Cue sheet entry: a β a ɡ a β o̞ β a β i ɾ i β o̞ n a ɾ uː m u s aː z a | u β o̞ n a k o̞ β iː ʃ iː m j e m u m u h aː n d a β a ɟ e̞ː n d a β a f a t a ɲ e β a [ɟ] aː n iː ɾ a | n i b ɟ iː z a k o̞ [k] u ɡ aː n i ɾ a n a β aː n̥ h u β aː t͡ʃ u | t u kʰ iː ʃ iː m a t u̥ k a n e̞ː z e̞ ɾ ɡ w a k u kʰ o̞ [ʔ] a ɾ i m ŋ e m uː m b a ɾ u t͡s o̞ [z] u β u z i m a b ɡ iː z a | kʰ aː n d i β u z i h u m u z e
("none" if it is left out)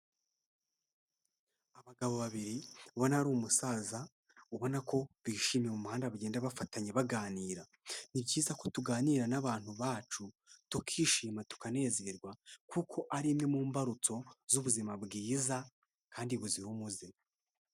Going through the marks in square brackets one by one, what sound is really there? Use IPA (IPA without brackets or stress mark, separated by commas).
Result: ɡ, t, ʔ, z